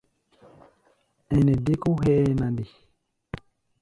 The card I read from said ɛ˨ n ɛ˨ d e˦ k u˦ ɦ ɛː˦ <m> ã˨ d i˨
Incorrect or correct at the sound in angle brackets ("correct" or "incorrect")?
incorrect